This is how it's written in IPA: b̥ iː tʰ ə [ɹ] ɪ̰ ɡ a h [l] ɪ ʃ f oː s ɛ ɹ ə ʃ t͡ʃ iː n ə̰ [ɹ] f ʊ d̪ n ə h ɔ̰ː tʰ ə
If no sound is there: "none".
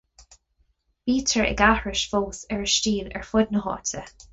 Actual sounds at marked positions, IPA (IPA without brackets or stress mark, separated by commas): ɹ, ɹ, ɹ